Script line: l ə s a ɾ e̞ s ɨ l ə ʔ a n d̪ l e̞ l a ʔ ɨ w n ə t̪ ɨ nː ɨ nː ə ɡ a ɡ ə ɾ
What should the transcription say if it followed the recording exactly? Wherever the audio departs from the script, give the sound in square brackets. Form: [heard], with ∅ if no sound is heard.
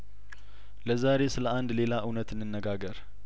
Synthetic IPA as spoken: l ə [z] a ɾ e̞ s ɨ l ə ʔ a n d̪ l e̞ l a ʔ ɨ w n ə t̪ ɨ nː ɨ nː ə ɡ a ɡ ə ɾ